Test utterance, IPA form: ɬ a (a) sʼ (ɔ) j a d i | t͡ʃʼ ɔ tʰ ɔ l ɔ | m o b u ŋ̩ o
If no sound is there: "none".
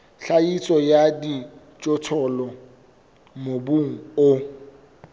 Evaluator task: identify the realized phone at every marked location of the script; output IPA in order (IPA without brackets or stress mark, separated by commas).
i, ɔ